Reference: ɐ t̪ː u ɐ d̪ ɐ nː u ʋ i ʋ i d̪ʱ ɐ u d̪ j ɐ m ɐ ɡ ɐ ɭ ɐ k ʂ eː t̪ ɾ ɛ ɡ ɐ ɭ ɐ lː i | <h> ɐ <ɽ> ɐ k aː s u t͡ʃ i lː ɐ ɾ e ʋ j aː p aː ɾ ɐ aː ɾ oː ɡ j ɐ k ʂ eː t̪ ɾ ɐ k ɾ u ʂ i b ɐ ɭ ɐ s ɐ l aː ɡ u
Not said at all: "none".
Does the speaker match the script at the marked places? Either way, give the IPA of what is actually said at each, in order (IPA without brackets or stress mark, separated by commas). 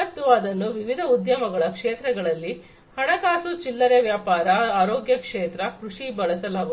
h, ɽ